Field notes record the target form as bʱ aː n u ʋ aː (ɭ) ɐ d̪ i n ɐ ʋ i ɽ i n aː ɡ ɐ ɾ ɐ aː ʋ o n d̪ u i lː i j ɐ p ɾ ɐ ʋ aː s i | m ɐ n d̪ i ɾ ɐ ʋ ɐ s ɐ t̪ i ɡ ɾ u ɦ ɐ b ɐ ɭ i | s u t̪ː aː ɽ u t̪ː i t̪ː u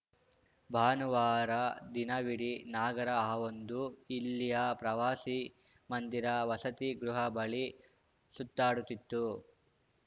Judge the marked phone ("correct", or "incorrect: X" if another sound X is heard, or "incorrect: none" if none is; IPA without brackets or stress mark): incorrect: ɾ